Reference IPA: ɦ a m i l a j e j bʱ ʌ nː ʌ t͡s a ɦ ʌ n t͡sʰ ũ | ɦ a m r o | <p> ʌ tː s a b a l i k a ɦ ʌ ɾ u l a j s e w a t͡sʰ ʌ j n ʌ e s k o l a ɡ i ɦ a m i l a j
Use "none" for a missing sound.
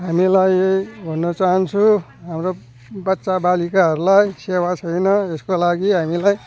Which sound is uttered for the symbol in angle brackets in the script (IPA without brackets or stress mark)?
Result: b